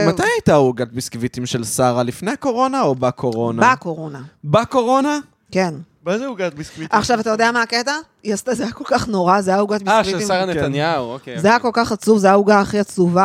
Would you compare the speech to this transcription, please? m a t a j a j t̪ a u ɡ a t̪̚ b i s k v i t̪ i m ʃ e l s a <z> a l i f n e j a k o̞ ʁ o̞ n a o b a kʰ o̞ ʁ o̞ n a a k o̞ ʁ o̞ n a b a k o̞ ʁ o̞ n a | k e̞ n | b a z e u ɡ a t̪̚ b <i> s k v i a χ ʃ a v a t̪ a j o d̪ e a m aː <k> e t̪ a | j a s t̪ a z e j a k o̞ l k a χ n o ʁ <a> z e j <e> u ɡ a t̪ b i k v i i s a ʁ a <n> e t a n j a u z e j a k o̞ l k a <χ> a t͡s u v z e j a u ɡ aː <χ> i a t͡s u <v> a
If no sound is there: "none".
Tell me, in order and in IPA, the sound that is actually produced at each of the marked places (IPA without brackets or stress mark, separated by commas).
ʁ, i, k, a, a, n, χ, χ, v